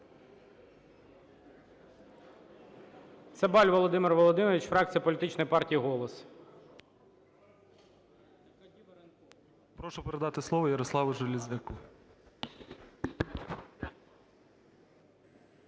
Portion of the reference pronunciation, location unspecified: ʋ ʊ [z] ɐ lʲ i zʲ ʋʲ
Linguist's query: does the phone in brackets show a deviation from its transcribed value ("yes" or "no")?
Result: yes